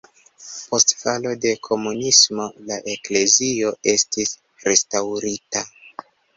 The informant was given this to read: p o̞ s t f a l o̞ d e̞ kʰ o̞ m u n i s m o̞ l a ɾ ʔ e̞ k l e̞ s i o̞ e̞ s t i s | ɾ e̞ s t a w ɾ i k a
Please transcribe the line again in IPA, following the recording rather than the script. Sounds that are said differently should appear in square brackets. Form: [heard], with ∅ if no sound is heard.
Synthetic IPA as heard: p o̞ s t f a l o̞ d e̞ kʰ o̞ m u n i s m o̞ l a [∅] ʔ e̞ k l e̞ [z] i o̞ e̞ s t i s | ɾ e̞ s t a w ɾ i [t] a